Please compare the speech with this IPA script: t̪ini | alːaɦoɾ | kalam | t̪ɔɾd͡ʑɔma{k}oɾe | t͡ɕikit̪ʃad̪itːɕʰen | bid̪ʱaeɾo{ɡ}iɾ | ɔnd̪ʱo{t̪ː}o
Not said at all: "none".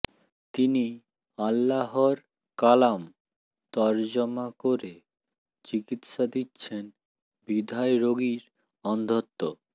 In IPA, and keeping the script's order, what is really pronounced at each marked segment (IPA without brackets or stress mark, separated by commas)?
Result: k, ɡ, t̪ː